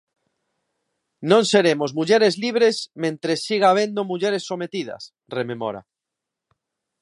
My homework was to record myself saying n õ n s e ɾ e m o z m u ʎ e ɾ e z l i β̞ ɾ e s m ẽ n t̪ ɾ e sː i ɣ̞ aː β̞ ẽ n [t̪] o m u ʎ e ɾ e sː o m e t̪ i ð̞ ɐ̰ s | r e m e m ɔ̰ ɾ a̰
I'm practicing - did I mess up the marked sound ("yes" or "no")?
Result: yes